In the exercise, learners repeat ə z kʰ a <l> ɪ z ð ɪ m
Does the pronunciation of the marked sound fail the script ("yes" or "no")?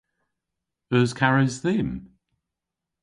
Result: yes